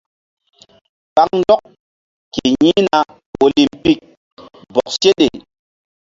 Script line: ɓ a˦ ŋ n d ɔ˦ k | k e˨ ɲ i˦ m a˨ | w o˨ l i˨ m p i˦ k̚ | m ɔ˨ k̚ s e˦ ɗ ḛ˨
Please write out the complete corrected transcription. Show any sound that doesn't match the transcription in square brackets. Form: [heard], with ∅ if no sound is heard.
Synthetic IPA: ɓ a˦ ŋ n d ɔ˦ k | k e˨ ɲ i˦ [n] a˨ | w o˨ l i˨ m p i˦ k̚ | [b] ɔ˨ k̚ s e˦ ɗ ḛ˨